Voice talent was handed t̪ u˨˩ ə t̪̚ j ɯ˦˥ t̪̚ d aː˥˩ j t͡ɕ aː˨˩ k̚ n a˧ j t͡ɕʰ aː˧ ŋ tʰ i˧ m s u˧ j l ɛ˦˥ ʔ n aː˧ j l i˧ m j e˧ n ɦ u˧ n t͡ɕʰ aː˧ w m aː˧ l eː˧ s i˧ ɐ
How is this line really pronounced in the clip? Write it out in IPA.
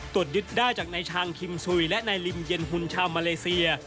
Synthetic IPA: t̪ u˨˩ ə t̪̚ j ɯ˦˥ t̪̚ d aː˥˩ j t͡ɕ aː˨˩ k̚ n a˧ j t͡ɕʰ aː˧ ŋ kʰ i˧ m s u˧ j l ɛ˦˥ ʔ n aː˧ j l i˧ m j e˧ n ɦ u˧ n t͡ɕʰ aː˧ w m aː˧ l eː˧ s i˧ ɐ